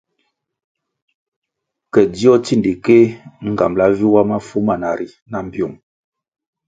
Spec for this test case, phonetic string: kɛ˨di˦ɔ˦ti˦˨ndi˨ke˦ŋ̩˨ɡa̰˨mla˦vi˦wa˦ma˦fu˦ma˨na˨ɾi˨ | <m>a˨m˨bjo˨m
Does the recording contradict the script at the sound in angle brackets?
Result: yes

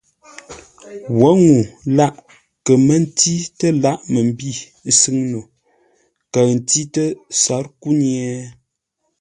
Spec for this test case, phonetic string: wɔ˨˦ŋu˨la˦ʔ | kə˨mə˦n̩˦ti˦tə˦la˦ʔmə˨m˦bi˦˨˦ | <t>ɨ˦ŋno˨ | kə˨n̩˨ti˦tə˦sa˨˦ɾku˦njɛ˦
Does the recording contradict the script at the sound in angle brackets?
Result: yes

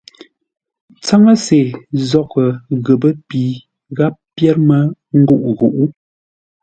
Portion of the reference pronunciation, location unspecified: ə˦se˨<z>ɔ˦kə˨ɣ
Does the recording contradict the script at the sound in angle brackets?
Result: no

